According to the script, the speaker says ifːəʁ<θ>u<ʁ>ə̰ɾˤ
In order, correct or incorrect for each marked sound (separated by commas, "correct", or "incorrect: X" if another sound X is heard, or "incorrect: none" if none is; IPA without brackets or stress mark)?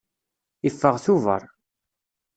correct, incorrect: v